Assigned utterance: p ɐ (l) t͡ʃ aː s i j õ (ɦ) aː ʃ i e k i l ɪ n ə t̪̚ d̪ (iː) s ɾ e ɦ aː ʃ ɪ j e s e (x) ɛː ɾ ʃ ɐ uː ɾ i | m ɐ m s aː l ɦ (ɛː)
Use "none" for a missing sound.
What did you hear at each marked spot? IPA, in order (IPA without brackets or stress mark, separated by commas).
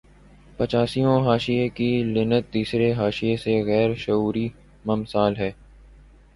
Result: none, ɦ, iː, ɣ, ɛː